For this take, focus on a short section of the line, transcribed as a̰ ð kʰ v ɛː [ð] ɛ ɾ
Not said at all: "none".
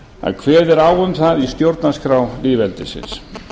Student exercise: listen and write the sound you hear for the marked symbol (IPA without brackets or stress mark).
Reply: ð